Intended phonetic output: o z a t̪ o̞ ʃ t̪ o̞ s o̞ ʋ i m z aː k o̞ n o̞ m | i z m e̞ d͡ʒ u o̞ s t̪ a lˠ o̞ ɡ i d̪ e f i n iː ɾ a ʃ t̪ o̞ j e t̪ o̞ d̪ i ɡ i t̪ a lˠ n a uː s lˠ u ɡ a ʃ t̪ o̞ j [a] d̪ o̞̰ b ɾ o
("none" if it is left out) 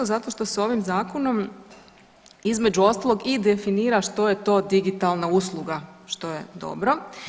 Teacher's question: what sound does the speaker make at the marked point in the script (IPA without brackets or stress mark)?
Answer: e